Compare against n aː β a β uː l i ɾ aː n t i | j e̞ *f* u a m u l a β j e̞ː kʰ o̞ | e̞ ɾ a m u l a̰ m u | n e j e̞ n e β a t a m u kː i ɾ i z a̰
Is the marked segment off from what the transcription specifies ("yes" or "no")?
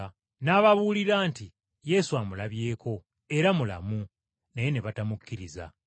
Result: yes